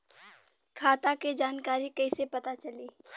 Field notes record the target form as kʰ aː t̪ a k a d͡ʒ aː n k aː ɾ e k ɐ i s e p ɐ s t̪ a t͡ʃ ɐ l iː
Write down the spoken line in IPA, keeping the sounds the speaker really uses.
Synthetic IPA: kʰ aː t̪ a k e d͡ʒ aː n k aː ɾ i k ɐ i s e p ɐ t̪ a t͡ʃ ɐ l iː